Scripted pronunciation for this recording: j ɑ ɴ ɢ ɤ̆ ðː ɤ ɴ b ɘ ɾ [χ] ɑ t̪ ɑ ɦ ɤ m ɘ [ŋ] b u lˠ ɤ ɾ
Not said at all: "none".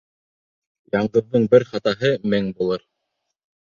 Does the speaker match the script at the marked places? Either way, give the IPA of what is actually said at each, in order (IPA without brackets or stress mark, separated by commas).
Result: χ, ŋ